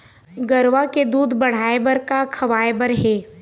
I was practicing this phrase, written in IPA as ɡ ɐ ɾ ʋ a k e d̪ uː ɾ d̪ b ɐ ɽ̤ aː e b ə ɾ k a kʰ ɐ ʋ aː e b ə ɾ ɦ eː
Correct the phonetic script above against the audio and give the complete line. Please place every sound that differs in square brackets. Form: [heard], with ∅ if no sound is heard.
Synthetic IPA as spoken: ɡ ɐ ɾ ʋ a k e d̪ uː [∅] d̪ b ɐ ɽ̤ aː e b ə ɾ k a kʰ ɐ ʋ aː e b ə ɾ ɦ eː